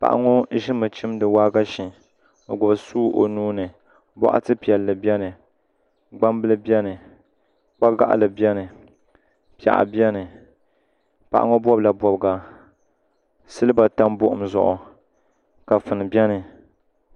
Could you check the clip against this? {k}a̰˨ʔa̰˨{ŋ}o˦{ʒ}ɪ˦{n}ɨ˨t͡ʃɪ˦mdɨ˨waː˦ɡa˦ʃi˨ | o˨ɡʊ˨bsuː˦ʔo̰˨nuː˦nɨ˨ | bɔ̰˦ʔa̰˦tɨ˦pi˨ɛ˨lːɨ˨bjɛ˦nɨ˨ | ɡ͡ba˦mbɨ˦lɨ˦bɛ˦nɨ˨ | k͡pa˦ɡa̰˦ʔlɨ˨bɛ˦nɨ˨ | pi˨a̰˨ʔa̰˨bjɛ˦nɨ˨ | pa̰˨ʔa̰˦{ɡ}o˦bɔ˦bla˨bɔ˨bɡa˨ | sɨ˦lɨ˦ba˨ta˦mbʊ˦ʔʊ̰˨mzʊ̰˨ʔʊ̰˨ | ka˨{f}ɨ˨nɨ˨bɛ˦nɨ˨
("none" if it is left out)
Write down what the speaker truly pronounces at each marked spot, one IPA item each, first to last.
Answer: p, ŋ, ʒ, m, ŋ, f

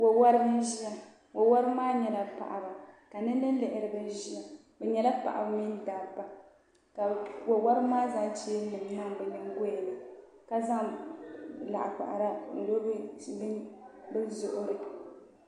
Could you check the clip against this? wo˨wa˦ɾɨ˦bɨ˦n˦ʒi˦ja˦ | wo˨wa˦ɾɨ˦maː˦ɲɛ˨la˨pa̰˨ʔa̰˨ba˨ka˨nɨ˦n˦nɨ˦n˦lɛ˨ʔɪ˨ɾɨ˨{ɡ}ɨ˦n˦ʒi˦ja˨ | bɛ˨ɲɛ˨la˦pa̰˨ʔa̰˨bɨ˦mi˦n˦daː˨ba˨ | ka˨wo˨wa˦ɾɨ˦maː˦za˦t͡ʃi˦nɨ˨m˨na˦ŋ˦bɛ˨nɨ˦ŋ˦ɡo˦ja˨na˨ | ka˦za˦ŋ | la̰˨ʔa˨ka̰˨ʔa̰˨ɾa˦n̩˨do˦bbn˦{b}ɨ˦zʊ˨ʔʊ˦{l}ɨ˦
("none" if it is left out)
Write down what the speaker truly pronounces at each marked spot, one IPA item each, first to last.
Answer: b, b, ɾ

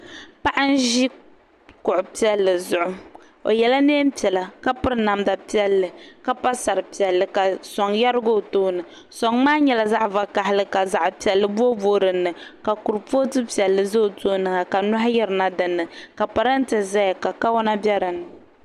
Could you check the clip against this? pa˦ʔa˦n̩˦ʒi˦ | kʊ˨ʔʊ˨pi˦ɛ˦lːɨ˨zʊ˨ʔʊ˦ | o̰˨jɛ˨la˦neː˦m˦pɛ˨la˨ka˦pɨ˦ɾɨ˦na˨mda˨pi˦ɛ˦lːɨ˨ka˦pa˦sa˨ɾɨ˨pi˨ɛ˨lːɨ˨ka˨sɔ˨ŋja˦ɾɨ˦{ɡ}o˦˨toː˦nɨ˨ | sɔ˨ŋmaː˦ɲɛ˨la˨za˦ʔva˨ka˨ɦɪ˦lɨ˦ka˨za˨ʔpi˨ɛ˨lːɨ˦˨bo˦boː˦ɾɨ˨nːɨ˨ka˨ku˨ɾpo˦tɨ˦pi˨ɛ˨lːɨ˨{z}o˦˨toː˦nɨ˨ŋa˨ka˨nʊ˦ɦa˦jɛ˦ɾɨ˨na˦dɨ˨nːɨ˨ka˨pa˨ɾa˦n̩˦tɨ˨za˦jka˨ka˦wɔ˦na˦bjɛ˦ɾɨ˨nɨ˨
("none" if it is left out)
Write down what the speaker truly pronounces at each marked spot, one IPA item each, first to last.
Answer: ɡ, z

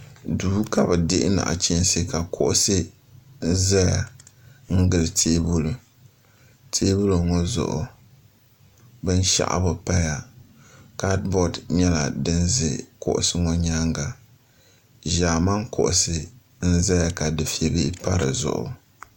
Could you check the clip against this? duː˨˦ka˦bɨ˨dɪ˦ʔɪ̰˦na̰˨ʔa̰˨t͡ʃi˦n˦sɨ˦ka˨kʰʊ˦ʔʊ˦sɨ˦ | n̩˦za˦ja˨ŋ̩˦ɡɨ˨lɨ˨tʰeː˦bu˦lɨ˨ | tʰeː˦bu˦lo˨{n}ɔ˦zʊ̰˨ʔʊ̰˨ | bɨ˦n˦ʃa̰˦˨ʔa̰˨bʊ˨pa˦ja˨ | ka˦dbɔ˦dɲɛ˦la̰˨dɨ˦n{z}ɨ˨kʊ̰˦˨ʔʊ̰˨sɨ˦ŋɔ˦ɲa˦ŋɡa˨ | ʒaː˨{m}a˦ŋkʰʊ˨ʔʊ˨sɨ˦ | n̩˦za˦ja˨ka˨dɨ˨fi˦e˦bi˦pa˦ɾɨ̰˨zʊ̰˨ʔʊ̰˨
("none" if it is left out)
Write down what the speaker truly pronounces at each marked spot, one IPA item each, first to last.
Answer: ŋ, z, m

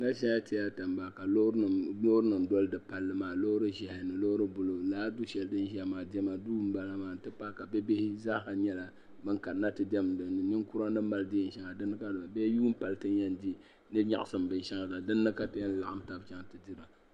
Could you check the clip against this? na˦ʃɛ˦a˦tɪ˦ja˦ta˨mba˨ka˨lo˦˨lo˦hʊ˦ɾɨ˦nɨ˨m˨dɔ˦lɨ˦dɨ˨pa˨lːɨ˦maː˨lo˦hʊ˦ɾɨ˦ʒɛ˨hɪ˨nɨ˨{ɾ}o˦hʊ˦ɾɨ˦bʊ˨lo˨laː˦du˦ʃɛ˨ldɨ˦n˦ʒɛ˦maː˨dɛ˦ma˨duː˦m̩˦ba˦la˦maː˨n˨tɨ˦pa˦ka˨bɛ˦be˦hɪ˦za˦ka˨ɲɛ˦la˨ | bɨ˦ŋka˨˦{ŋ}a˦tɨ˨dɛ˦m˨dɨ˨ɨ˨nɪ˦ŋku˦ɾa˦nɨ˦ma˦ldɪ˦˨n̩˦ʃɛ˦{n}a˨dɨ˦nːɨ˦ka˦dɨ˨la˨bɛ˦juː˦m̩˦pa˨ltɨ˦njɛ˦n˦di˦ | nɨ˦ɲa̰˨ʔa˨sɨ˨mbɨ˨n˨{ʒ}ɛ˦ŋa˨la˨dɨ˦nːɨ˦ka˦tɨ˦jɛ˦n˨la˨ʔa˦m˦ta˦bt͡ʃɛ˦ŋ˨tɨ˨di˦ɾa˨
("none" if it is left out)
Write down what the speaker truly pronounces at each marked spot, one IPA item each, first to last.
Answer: l, n, ŋ, ʃ

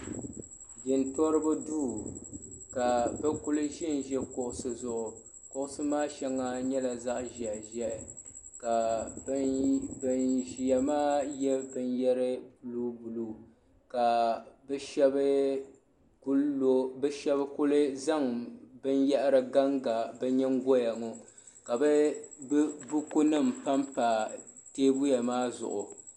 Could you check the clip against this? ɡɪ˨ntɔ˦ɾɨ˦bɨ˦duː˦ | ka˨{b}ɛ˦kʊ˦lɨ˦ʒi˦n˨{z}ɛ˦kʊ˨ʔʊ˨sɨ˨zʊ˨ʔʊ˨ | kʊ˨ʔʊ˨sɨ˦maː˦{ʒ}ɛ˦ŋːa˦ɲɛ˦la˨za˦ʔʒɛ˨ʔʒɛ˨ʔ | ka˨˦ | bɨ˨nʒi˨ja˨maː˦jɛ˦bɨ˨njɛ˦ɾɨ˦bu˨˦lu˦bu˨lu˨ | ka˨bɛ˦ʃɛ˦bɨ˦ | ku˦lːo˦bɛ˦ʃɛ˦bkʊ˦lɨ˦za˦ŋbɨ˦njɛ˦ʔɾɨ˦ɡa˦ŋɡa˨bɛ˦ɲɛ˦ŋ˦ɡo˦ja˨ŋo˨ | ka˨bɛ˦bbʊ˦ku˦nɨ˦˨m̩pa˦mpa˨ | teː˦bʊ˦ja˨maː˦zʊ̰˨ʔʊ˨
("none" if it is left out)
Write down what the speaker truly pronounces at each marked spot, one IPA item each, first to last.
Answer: b, ʒ, ʃ

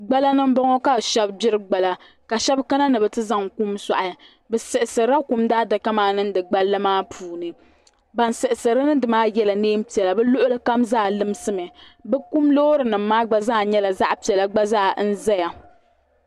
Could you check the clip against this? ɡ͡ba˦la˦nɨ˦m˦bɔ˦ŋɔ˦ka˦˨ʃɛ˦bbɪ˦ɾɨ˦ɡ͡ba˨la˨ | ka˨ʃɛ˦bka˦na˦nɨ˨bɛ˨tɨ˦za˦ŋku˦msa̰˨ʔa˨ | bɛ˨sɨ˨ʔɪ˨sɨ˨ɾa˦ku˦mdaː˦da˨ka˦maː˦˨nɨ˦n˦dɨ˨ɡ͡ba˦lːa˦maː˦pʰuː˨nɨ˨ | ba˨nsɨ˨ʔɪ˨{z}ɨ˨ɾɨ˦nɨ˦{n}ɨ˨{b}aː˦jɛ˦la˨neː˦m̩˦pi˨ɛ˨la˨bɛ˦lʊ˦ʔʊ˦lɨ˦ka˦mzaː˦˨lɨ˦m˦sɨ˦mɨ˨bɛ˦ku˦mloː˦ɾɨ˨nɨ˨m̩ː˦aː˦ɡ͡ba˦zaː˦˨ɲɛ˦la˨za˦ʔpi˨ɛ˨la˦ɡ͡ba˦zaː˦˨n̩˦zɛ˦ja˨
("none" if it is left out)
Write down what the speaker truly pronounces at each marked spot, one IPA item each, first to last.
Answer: s, d, m

